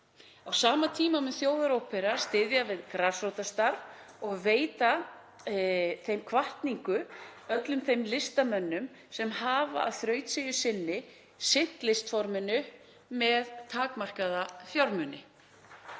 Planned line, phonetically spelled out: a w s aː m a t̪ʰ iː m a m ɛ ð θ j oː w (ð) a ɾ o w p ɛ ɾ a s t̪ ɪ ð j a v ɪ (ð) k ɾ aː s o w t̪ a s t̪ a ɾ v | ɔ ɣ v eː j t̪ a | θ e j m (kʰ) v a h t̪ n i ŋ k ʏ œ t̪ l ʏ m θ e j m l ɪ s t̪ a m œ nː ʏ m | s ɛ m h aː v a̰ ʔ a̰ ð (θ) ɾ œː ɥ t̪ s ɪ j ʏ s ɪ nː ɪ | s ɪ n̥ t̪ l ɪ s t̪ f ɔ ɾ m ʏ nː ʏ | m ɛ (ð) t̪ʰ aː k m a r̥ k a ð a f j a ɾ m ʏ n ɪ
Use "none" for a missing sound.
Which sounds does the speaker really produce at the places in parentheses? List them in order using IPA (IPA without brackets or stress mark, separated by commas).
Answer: ð, ð, kʰ, θ, ð